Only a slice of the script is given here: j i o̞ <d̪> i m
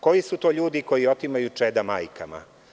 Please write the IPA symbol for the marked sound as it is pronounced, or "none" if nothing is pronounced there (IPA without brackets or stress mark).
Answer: t̪